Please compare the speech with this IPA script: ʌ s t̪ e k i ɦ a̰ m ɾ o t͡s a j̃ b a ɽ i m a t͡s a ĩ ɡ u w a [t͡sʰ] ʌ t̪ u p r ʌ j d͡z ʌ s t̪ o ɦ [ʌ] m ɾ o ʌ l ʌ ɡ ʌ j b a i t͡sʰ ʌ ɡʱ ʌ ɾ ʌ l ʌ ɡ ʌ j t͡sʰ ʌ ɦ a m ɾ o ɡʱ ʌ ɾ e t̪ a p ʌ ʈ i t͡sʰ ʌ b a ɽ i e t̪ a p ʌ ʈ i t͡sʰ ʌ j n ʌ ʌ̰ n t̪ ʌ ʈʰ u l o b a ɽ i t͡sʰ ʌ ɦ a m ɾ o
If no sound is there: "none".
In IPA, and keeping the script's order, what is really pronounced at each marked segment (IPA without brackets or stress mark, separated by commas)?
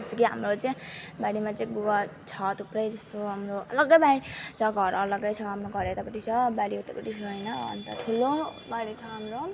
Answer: t͡sʰ, a